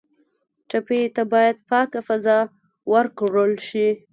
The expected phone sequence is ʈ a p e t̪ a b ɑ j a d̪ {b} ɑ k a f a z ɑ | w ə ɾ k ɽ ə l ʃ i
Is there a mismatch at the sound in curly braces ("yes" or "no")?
yes